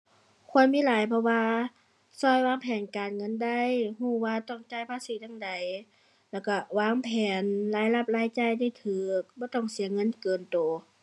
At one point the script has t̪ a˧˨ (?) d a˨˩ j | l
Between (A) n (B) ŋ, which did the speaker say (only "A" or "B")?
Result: B